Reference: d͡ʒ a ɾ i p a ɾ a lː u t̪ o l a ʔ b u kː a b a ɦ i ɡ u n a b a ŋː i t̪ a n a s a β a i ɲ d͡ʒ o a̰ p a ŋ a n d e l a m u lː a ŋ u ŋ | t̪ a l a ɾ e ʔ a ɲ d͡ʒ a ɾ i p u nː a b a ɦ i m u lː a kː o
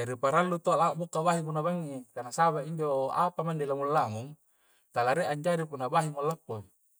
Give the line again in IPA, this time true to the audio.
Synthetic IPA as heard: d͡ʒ a ɾ i p a ɾ a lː u t̪ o l a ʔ b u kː a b a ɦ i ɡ u n a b a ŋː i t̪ a n a s a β a i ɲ d͡ʒ o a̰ p a m a n d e l a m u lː a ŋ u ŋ | t̪ a l a ɾ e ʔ a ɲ d͡ʒ a ɾ i p u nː a b a ɦ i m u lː a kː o